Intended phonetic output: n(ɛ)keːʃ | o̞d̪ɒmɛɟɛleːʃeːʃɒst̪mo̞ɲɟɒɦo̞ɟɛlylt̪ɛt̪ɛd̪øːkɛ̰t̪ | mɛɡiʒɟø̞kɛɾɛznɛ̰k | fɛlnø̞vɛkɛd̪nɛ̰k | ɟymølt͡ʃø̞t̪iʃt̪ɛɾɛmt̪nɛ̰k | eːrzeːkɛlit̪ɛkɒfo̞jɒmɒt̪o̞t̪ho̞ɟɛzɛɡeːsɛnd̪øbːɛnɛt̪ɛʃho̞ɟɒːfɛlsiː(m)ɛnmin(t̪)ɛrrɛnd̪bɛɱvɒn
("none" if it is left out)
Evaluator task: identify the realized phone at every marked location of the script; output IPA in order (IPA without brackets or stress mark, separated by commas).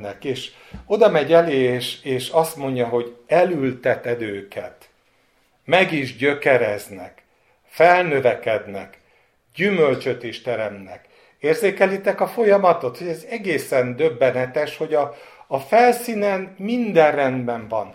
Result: ɛ, n, d̪